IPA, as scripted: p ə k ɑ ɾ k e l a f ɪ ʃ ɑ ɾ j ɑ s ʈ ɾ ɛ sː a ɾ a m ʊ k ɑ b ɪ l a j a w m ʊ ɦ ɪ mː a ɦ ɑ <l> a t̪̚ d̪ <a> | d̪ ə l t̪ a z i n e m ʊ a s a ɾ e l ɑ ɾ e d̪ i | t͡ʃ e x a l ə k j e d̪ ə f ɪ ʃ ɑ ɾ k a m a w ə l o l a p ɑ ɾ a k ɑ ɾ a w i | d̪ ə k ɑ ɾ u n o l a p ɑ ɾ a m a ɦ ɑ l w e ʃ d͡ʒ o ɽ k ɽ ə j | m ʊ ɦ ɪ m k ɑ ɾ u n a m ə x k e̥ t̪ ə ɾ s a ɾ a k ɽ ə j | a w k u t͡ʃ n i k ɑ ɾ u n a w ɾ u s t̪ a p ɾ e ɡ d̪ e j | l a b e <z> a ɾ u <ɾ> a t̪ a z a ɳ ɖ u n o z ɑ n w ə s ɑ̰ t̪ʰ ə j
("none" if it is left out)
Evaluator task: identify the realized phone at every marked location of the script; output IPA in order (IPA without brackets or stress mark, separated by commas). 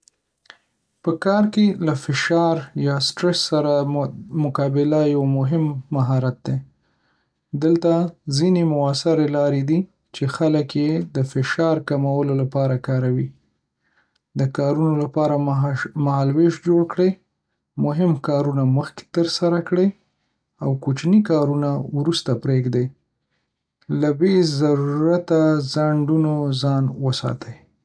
ɾ, e, z, ɾ